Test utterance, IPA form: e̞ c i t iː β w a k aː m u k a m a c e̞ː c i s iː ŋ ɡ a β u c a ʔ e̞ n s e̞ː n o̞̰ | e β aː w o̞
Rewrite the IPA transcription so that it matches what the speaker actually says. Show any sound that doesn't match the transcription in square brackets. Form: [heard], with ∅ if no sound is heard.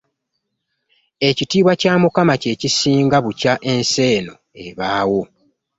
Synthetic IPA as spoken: e̞ c i t iː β w a [c] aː m u k a m a c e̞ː c i s iː ŋ ɡ a β u c a ʔ e̞ n s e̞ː n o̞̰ | e β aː w o̞